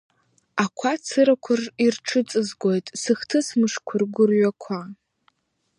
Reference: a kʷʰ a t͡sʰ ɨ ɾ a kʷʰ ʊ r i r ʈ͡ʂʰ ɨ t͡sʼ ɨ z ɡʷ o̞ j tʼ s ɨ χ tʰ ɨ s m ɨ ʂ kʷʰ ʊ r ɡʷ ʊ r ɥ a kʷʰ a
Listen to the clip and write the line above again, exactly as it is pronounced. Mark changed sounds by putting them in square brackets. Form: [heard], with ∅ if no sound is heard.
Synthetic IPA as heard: a kʷʰ a t͡sʰ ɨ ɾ a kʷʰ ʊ r i r ʈ͡ʂʰ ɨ t͡sʼ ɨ z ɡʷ o̞ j tʼ s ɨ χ tʰ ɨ s m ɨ ʂ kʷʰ ʊ r ɡʷ ʊ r ɥ a kʷʰ a